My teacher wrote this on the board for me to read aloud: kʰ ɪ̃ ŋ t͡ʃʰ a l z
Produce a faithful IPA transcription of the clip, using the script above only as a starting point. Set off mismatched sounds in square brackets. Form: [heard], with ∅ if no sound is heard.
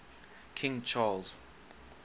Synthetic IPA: kʰ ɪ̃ ŋ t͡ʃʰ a l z

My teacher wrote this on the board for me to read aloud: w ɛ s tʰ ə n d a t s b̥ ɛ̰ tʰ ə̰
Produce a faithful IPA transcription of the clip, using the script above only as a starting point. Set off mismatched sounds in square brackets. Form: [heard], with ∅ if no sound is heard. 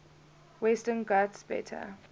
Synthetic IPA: w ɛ s [t] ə n [ɡ] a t s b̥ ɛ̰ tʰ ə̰

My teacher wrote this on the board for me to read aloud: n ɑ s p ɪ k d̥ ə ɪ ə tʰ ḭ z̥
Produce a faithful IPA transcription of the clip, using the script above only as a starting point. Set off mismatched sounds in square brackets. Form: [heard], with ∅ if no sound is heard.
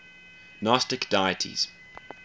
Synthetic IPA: n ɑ s [t] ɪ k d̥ [a] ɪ ə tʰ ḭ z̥

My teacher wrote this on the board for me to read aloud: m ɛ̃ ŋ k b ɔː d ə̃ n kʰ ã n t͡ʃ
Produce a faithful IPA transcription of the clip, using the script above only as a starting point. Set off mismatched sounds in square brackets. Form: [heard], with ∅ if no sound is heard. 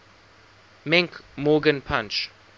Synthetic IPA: m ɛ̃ ŋ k [m] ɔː [ɡ] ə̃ n [pʰ] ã n t͡ʃ

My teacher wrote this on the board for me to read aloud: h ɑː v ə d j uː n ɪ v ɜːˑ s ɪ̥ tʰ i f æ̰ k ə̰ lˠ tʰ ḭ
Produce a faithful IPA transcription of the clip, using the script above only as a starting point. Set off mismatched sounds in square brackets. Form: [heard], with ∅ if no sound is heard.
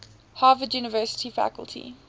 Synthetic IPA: h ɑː v ə d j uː n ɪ v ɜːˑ s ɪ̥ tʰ i f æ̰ k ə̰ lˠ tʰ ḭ

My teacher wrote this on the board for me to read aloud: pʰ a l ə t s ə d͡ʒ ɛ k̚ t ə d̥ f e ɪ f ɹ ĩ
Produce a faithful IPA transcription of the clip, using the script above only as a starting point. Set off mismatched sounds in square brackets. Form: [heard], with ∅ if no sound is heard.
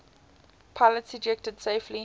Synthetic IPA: pʰ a l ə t s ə d͡ʒ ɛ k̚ t ə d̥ [s] e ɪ f [l] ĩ

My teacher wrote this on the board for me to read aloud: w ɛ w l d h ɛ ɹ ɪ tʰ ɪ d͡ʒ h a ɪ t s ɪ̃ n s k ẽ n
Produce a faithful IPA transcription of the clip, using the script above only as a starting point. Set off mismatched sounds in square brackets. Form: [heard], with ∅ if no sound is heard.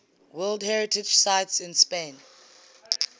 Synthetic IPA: w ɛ [∅] l d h ɛ ɹ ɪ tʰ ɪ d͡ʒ [s] a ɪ t s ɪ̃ n s [p] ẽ n

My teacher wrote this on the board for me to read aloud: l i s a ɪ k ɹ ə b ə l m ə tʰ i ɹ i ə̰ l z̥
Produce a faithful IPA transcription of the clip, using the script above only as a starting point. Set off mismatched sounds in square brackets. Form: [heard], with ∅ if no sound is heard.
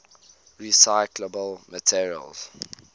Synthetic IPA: [ɹ] i s a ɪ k [l] ə b ə l m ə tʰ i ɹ i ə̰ l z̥

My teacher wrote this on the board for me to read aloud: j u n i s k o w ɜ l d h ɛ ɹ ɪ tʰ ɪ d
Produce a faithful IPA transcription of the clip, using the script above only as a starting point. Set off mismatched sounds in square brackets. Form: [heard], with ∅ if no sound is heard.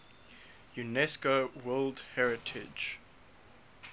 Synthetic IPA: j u n [ɛ] s k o w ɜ l d h ɛ ɹ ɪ tʰ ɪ [d͡ʒ]

